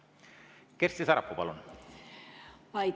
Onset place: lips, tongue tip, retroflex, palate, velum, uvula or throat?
velum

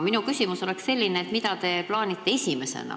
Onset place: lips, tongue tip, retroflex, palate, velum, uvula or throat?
lips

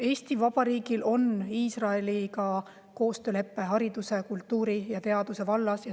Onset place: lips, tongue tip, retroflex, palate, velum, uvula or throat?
tongue tip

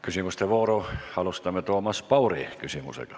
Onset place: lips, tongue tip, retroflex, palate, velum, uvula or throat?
velum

